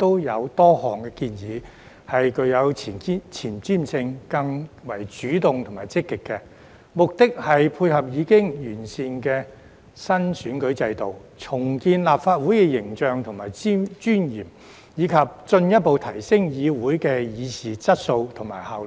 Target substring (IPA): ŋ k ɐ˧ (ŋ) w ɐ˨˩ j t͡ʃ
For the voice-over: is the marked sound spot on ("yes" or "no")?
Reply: yes